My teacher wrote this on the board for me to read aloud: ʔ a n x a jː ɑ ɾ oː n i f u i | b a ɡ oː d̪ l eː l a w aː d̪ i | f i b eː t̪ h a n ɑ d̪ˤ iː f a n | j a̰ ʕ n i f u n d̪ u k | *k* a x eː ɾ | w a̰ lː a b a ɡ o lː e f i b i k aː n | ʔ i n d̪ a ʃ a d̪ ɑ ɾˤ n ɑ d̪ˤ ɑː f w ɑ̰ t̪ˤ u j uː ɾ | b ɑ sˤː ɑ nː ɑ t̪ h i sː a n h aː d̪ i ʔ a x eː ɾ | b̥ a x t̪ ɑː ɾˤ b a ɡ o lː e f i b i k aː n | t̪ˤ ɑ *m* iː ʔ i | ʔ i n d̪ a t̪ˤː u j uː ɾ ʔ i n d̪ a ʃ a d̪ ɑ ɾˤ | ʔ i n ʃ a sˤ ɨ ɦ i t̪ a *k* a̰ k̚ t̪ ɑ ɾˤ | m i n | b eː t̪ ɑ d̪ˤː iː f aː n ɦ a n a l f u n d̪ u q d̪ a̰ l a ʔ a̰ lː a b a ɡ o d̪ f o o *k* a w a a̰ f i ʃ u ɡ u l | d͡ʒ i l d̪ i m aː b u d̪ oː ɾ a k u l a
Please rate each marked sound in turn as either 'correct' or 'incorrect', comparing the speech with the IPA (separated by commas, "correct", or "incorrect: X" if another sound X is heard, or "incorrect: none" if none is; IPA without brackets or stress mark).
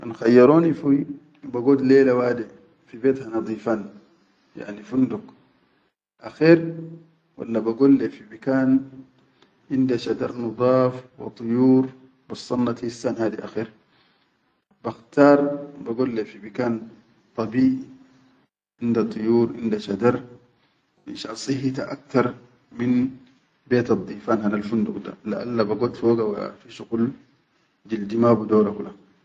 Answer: incorrect: ʔ, incorrect: b, incorrect: ʔ, incorrect: ɡ